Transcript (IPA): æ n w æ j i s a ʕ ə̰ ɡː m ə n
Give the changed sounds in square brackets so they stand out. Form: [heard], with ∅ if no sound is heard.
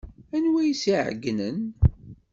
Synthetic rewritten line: æ n w æ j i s [i] ʕ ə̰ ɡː [n] ə n